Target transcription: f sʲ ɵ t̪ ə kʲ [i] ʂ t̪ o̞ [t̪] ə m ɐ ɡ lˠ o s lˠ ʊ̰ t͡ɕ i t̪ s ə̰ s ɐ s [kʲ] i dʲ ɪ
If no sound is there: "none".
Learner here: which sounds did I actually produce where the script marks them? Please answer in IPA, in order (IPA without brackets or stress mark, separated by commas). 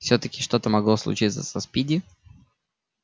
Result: ɪ, t̪, pʲ